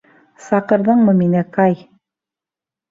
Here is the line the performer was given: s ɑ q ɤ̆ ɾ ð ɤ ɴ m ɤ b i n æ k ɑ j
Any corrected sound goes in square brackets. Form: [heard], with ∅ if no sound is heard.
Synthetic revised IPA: s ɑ q ɤ̆ ɾ ð ɤ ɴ m ɤ [m] i n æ k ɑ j